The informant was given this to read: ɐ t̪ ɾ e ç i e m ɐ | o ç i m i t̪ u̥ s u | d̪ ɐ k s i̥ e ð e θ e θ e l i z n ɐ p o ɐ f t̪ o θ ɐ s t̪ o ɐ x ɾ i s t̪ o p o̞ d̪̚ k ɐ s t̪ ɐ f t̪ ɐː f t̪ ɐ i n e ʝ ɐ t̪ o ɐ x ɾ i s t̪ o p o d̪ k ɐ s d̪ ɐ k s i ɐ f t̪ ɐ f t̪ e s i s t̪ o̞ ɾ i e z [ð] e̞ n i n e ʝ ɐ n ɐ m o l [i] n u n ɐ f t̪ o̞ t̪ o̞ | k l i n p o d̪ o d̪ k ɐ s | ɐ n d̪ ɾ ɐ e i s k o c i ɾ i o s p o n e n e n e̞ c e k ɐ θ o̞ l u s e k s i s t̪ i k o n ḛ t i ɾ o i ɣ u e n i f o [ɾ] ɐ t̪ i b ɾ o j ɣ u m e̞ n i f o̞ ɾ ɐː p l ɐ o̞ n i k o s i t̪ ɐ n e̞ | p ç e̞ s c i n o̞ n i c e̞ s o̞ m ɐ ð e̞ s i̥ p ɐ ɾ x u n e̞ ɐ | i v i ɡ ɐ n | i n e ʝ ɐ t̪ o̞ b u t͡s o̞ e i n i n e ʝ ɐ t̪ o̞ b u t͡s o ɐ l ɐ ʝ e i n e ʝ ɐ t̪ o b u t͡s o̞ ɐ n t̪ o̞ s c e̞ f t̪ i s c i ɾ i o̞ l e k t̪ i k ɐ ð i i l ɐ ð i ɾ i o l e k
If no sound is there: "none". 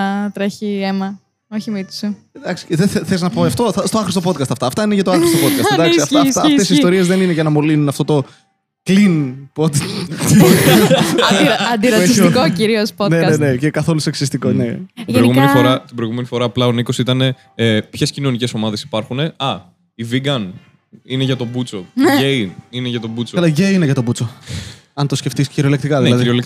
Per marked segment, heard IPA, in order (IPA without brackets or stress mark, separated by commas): ð, i, ɾ